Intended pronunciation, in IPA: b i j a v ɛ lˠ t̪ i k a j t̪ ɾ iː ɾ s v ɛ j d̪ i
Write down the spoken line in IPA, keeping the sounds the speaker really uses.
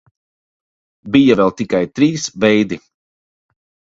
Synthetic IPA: b i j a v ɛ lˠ t̪ i k a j t̪ ɾ iː s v ɛ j d̪ i

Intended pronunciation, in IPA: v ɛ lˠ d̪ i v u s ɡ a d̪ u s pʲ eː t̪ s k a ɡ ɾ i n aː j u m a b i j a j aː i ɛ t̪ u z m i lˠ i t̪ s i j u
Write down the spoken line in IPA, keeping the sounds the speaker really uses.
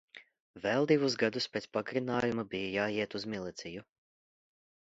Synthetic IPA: v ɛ lˠ d̪ i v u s ɡ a d̪ u s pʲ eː t̪ s p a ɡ ɾ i n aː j u m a b i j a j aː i ɛ t̪ u z m i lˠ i t̪ s i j u

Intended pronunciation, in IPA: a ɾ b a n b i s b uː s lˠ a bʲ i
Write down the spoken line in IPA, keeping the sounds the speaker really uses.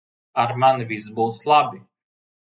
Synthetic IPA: a ɾ m a n v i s b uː s lˠ a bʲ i

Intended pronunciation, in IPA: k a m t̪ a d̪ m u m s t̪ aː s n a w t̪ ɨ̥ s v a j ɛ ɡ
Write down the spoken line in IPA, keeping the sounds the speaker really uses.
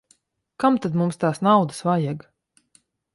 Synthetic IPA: k a m t̪ a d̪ m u m s t̪ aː s n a w d̪ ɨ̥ s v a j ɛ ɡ

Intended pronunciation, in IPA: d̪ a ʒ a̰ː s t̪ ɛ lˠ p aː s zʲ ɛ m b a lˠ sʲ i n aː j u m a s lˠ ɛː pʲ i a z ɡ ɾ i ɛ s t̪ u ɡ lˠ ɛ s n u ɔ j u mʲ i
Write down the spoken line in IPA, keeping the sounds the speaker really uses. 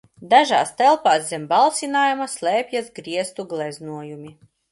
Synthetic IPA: d̪ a ʒ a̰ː s t̪ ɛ lˠ p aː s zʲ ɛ m b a lˠ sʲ i n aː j u m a s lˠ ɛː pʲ j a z ɡ ɾ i ɛ s t̪ u ɡ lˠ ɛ z n u ɔ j u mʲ i

